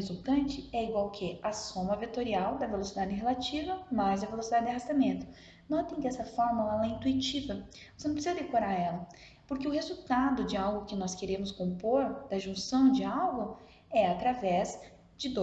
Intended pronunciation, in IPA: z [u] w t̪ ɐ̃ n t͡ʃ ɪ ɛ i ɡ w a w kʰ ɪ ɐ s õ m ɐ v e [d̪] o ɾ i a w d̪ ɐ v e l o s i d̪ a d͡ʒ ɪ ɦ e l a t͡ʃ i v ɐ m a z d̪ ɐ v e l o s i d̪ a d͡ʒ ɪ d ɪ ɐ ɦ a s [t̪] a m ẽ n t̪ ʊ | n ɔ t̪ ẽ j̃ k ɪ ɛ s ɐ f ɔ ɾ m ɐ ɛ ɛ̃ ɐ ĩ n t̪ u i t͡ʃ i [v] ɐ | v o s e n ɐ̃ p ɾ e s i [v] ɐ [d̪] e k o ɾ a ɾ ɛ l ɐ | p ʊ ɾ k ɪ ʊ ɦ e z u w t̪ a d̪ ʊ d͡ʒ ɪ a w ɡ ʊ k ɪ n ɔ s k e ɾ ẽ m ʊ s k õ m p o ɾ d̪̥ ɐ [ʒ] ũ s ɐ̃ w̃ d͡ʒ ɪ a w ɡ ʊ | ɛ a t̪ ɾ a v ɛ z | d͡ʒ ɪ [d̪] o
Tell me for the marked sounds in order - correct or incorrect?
correct, incorrect, correct, correct, incorrect, correct, correct, correct

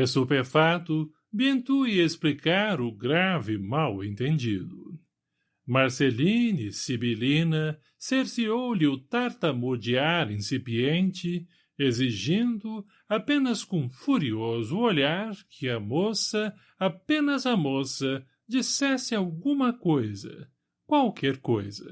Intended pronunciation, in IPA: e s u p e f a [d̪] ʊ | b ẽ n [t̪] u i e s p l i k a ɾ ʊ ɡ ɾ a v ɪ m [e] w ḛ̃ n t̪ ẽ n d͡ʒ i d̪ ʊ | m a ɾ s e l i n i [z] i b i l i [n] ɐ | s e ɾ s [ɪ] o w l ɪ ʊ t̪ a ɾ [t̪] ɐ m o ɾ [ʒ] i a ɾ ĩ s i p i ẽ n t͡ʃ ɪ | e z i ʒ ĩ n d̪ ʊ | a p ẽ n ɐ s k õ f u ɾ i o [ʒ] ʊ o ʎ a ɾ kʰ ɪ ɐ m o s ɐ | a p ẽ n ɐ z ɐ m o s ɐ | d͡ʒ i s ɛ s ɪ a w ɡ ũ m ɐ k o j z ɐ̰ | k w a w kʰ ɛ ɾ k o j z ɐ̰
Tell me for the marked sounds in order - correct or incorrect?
incorrect, correct, incorrect, incorrect, correct, incorrect, correct, incorrect, incorrect

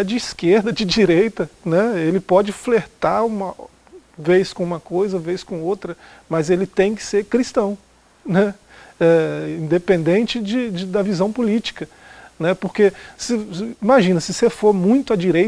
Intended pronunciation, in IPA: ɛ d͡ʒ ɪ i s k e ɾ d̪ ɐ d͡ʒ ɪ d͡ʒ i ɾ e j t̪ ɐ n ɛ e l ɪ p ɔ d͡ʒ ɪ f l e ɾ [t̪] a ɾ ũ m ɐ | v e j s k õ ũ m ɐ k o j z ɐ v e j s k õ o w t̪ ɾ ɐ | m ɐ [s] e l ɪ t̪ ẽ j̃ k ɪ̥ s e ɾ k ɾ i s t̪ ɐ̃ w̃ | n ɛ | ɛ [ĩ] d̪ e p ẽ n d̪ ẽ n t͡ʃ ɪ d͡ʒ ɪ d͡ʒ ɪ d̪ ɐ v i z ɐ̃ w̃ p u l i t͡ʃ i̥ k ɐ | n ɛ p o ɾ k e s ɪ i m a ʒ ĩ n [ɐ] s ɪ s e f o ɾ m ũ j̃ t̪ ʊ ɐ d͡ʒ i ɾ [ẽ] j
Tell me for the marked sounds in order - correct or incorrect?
correct, incorrect, correct, correct, incorrect

